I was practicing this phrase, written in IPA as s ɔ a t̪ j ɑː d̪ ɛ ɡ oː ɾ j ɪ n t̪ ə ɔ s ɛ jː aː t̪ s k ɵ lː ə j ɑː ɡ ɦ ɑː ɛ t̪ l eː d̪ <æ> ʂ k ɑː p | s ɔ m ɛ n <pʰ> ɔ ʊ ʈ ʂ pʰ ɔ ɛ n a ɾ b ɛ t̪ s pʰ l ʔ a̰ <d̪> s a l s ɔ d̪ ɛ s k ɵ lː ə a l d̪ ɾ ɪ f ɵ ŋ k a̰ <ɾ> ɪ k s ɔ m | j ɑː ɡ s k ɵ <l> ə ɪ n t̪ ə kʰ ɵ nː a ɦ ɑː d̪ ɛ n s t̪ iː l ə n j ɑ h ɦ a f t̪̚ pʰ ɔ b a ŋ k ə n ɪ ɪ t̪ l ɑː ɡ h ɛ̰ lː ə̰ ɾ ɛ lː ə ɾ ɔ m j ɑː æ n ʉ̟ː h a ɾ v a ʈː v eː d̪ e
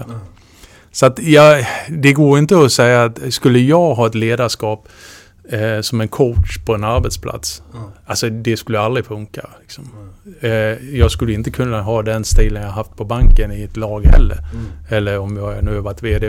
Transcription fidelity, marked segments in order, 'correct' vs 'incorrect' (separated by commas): incorrect, incorrect, incorrect, incorrect, incorrect